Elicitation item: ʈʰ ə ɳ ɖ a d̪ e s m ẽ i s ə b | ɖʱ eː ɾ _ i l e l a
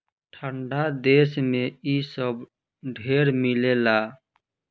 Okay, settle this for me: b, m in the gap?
m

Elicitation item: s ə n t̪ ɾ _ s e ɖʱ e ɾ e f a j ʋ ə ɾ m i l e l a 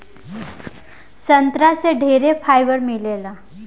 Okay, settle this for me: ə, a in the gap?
a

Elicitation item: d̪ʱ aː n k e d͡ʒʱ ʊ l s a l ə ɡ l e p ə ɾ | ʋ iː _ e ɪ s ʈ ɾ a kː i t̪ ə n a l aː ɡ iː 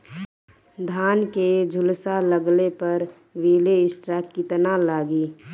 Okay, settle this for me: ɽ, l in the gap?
l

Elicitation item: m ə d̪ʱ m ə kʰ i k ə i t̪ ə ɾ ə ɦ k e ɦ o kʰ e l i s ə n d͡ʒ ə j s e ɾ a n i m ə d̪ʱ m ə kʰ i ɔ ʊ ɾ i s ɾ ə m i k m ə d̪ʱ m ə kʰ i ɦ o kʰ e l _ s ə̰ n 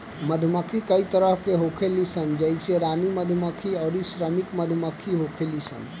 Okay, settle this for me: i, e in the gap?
i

